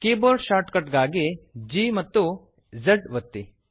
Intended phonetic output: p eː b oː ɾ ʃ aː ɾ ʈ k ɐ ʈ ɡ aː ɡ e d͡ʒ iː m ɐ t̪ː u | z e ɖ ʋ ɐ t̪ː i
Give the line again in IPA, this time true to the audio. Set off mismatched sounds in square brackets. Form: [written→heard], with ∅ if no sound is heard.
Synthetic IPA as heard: [p→k] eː b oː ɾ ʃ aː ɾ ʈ k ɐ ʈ ɡ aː ɡ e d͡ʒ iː m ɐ t̪ː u | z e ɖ ʋ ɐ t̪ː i